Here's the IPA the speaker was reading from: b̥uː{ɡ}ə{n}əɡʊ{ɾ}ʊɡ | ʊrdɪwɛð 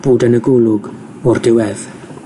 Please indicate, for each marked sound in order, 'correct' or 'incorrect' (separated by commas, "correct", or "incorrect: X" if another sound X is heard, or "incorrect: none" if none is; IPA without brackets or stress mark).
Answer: incorrect: d, correct, incorrect: l